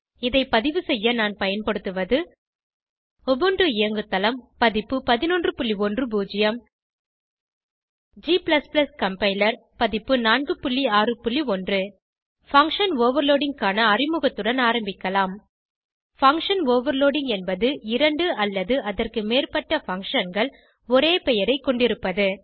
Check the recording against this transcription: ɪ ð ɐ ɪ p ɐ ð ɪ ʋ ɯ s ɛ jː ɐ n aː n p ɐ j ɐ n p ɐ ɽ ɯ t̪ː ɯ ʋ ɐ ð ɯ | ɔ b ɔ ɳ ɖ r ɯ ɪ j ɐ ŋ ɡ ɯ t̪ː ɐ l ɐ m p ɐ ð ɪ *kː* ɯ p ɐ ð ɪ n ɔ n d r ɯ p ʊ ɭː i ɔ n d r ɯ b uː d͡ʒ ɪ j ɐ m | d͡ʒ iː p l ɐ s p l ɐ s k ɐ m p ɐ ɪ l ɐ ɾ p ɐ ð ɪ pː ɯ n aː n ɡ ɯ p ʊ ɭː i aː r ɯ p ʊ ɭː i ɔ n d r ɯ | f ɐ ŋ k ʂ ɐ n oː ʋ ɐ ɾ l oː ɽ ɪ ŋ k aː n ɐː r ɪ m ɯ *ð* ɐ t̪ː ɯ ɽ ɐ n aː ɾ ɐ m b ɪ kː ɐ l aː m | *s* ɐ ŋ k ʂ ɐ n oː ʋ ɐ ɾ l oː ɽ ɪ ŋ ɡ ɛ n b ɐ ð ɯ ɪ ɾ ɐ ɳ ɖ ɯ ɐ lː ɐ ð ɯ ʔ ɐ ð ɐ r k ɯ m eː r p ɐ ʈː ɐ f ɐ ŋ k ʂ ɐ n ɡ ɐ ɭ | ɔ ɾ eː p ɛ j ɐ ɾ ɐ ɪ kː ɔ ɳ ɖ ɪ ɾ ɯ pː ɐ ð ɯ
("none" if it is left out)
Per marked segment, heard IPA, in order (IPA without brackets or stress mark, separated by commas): pː, ɣ, f